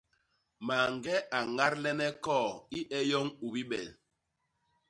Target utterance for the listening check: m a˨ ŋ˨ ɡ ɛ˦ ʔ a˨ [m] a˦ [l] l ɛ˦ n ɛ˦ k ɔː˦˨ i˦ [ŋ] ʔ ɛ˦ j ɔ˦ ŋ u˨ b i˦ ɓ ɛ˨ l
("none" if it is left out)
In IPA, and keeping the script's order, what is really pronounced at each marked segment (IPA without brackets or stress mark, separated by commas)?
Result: ŋ, ɾ, none